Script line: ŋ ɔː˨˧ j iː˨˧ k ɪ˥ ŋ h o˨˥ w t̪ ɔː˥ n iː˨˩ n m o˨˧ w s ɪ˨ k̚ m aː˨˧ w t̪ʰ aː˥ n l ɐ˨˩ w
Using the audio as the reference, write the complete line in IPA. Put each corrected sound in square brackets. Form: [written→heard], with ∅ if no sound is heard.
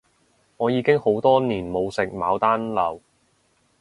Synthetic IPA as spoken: ŋ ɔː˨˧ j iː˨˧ k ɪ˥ ŋ h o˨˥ w t̪ ɔː˥ n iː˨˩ n m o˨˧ w s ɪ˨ k̚ m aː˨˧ w [t̪ʰ→t̪] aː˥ n l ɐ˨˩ w